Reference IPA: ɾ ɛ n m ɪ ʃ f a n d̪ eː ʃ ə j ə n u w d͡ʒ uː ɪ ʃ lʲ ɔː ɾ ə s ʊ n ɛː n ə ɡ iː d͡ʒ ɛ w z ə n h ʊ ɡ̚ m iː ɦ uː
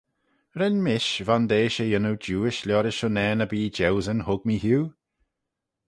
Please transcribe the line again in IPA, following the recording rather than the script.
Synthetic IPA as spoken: ɾ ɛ n m ɪ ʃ v a n d̪ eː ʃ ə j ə n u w d͡ʒ uː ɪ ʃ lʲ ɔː ɾ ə ʃ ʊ n ɛː n ə b iː d͡ʒ ɛ w z ə n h ʊ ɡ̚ m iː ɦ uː